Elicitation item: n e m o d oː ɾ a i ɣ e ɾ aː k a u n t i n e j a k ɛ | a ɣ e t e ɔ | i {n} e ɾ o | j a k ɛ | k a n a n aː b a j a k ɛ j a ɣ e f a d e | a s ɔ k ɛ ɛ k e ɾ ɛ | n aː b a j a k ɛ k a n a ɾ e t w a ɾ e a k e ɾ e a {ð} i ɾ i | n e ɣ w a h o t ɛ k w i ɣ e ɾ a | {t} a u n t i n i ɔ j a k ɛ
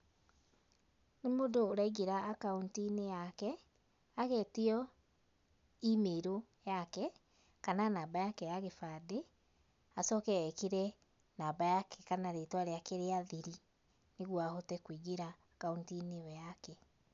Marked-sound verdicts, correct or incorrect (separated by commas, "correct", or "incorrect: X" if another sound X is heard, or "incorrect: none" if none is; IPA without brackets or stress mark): incorrect: m, correct, incorrect: k